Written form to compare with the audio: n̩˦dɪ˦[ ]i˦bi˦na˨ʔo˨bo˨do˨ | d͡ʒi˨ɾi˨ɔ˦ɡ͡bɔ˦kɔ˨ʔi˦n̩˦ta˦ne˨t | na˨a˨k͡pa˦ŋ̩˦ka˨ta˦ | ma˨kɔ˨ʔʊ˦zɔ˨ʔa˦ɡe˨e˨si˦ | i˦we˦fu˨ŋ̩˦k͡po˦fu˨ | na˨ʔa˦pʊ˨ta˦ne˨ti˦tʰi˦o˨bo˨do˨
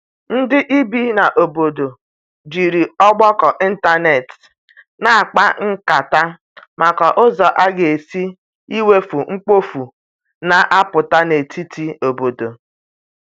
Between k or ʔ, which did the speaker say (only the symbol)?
ʔ